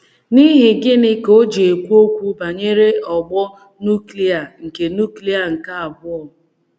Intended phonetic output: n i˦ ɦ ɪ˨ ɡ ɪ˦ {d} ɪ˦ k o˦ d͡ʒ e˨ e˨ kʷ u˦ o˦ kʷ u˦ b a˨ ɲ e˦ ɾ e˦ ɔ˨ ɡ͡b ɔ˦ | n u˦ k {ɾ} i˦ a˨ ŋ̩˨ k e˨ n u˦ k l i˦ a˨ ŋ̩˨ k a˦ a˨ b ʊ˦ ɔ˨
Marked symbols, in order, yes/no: no, no

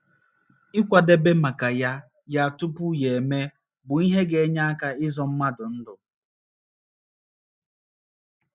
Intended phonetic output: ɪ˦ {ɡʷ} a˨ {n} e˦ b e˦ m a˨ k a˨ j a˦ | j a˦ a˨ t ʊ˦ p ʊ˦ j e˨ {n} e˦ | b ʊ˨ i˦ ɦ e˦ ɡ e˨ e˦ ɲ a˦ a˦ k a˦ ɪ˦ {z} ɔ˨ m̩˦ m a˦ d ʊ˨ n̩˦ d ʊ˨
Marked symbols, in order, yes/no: no, no, no, yes

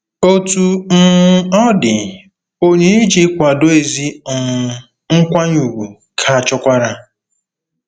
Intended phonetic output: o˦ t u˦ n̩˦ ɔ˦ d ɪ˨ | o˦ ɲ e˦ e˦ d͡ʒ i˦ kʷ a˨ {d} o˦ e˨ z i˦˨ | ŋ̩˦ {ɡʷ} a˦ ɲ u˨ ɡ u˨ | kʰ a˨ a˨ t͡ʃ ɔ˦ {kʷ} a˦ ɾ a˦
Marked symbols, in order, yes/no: yes, no, yes

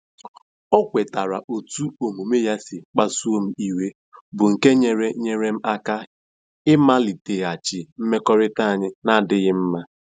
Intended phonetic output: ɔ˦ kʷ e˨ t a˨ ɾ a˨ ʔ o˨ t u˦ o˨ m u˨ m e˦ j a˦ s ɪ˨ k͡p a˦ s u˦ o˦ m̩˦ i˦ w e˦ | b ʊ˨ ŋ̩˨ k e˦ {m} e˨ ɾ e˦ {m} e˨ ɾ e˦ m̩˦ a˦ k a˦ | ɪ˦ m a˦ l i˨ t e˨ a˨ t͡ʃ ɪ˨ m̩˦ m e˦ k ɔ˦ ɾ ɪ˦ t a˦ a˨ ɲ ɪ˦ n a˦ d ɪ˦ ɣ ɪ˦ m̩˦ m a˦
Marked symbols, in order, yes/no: no, no

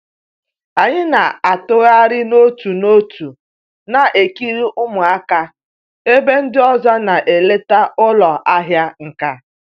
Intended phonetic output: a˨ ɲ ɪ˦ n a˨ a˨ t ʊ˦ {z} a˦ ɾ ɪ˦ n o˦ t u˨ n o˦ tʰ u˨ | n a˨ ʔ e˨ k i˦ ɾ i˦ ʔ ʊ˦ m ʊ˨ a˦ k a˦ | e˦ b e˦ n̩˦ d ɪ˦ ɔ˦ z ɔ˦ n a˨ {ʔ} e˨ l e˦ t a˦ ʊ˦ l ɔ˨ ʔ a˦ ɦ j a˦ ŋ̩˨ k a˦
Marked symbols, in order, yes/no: no, yes

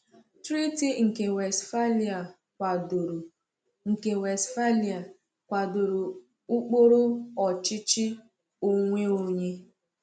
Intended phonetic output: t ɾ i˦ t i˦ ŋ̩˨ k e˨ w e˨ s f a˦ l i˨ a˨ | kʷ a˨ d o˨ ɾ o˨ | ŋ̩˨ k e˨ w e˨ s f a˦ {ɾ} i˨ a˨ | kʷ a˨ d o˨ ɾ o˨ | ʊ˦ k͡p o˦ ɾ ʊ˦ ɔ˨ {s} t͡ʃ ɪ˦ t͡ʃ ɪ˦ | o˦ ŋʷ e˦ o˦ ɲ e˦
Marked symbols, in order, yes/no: no, no

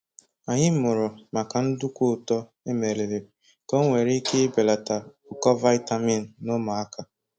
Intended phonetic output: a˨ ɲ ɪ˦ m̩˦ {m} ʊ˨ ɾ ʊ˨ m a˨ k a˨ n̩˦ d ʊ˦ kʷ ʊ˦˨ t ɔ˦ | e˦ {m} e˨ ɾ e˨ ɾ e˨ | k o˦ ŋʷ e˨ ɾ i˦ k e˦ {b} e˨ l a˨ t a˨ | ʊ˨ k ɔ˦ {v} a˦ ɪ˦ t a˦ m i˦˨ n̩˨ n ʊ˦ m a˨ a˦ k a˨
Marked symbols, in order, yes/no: yes, yes, yes, yes

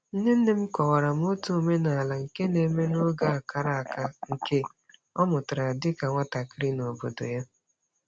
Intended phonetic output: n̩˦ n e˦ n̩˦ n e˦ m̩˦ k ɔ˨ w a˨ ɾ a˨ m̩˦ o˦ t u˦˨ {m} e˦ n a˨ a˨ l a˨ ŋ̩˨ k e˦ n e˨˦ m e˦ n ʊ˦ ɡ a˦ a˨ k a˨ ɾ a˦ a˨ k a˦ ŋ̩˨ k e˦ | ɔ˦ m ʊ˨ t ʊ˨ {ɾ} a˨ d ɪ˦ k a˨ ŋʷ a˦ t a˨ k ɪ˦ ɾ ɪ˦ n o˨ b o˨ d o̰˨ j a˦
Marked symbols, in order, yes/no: yes, yes

